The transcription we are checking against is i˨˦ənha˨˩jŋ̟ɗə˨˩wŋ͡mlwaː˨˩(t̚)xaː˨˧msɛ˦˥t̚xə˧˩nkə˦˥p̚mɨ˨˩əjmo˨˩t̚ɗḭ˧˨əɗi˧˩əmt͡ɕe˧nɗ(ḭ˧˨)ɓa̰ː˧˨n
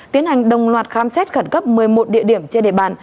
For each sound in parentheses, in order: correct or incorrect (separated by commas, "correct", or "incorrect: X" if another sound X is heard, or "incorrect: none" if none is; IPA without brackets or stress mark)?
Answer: correct, incorrect: ḛ˧˨